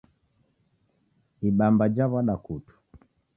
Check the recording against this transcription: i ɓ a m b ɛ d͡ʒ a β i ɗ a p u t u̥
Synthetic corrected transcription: i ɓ a m b a d͡ʒ a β a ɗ a k u t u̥